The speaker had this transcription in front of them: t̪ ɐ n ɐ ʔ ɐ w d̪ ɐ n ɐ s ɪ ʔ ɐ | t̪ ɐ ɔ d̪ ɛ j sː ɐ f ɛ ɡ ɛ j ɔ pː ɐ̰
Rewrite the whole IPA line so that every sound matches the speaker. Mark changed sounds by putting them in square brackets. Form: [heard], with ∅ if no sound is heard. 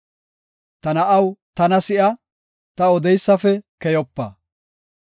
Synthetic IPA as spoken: t̪ ɐ n ɐ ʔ ɐ w [t̪] ɐ n ɐ s ɪ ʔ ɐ | t̪ ɐ ɔ d̪ ɛ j sː ɐ f ɛ [k] ɛ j ɔ pː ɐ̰